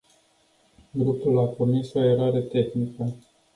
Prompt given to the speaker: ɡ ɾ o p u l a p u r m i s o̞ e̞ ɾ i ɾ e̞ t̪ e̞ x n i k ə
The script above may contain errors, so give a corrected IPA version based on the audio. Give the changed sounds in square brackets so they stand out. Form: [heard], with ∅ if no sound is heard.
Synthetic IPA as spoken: ɡ ɾ [u] p u l a p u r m i s o̞ e̞ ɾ [a] ɾ e̞ t̪ e̞ x n i k ə